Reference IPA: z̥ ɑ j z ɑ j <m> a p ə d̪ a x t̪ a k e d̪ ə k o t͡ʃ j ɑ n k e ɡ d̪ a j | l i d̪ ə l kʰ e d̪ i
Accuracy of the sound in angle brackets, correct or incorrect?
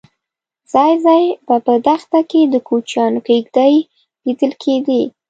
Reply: incorrect